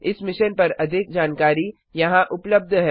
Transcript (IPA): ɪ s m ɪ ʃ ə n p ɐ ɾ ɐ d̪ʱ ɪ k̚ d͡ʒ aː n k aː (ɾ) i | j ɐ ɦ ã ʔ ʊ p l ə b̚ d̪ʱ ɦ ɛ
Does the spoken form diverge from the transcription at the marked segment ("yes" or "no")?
no